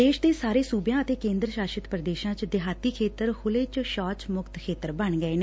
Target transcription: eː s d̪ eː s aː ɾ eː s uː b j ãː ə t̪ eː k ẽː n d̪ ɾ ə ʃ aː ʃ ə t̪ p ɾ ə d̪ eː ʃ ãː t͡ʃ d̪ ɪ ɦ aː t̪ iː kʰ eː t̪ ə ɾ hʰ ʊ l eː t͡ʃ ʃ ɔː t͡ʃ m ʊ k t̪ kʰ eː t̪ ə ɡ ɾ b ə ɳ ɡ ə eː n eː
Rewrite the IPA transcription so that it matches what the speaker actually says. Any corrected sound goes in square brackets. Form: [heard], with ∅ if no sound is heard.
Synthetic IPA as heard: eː [ʃ] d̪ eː s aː ɾ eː s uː b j ãː ə t̪ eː k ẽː n d̪ ɾ ə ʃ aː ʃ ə t̪ p ɾ ə d̪ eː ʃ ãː t͡ʃ d̪ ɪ ɦ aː t̪ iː kʰ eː t̪ ə ɾ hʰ ʊ l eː t͡ʃ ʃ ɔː t͡ʃ m ʊ k t̪ kʰ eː t̪ ə [∅] ɾ b ə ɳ ɡ ə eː n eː